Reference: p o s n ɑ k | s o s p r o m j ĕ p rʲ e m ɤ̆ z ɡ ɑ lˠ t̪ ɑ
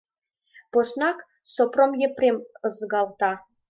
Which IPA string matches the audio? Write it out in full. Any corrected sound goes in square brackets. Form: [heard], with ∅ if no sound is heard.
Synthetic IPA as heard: p o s n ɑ k | s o [∅] p r o m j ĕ p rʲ e m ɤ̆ z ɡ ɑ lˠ t̪ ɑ